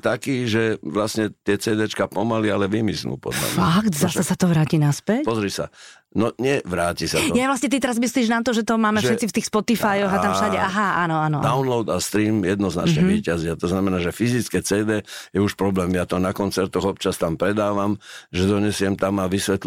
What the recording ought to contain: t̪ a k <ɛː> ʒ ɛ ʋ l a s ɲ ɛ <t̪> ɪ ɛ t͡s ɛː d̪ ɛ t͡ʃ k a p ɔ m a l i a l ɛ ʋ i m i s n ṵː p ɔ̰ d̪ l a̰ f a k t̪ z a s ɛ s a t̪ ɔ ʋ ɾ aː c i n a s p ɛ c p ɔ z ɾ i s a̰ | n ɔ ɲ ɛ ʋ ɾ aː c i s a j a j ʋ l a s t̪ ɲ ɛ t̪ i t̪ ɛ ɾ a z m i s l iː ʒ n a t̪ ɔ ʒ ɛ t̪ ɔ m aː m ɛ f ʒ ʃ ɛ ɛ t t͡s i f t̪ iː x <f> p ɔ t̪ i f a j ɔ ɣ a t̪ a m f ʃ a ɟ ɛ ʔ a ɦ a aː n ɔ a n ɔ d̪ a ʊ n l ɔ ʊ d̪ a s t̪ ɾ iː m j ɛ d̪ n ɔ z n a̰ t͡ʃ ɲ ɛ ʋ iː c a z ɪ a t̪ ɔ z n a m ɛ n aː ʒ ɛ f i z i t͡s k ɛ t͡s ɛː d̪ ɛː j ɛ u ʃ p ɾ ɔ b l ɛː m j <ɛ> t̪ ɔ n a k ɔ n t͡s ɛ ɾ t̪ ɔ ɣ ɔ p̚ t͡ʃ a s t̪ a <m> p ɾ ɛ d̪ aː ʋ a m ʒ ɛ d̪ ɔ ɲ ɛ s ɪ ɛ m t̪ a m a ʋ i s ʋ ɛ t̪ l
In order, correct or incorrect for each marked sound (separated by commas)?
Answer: incorrect, correct, incorrect, incorrect, correct